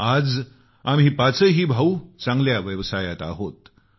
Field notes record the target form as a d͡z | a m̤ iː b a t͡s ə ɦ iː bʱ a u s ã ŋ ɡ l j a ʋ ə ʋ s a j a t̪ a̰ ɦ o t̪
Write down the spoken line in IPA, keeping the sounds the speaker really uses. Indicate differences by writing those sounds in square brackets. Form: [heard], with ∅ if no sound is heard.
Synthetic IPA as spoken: a d͡z | a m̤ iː [p] a t͡s ə ɦ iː bʱ a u [t͡s] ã ŋ ɡ l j a ʋ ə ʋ s a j a t̪ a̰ ɦ o t̪